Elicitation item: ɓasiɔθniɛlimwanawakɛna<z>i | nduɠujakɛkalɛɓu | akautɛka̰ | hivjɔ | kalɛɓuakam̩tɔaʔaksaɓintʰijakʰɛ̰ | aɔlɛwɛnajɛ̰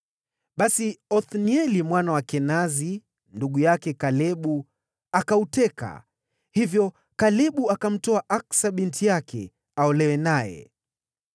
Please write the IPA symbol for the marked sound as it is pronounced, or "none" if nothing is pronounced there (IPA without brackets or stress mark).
z